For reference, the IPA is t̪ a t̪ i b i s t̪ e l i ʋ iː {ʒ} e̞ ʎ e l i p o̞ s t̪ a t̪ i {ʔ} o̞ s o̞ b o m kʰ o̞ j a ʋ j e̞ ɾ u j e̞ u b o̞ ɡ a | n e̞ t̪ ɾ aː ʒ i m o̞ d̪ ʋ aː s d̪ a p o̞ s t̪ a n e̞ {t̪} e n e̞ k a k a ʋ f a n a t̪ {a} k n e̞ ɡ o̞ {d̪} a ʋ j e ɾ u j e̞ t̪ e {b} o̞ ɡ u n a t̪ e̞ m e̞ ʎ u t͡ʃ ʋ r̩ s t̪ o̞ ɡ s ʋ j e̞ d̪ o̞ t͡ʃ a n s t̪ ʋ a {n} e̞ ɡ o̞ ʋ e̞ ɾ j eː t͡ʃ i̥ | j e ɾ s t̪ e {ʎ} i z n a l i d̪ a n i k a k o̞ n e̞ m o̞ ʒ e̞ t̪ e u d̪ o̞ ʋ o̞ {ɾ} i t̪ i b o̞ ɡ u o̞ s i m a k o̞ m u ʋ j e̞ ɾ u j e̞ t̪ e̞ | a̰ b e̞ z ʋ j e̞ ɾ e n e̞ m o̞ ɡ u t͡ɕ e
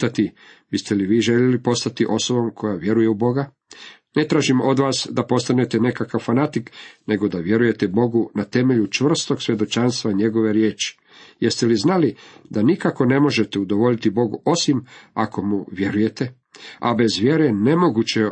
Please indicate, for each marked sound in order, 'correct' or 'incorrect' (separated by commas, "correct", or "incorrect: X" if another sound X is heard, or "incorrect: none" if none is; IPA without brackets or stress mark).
correct, correct, correct, incorrect: i, correct, correct, incorrect: ɲ, incorrect: l, incorrect: ʎ